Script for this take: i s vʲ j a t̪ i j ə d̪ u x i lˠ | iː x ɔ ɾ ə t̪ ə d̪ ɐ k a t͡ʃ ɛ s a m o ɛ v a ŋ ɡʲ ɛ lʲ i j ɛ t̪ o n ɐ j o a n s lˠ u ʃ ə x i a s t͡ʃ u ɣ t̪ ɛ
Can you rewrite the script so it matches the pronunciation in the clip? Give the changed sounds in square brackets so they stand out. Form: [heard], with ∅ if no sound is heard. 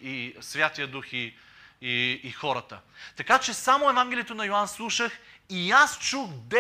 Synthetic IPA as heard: i s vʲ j a t̪ i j ə d̪ u x i [∅] | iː x ɔ ɾ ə t̪ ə [t̪] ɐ k a t͡ʃ ɛ s a m o ɛ v a ŋ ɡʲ ɛ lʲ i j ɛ t̪ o n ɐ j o a n s lˠ u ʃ ə x i a s t͡ʃ u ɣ [d̪] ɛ